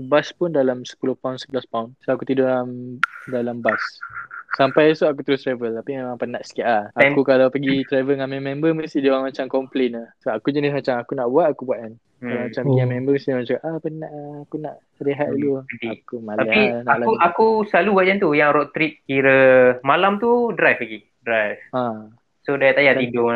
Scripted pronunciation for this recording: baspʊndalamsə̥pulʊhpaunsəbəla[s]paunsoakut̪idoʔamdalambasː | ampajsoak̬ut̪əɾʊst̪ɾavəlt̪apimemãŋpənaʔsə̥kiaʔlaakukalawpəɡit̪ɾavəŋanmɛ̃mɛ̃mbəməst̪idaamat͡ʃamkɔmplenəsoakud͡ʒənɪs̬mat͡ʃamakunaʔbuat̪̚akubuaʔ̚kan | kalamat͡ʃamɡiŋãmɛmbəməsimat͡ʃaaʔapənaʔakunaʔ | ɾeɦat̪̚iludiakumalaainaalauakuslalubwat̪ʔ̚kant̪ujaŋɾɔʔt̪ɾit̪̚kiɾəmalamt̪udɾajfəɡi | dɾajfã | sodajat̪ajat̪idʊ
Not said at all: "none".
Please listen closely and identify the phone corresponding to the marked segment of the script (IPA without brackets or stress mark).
s